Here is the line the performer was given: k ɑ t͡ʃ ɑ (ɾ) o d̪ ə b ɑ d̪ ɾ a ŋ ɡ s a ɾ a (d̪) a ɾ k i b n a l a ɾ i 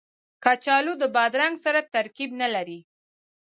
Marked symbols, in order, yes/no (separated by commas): no, no